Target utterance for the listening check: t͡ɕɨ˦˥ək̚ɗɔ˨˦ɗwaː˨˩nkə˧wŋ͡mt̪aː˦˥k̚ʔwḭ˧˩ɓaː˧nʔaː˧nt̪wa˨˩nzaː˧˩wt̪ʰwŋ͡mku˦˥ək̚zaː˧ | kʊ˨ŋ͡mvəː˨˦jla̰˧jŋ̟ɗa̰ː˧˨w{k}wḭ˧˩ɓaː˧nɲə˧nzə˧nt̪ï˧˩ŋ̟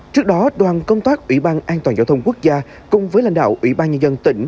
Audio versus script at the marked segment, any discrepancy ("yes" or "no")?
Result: yes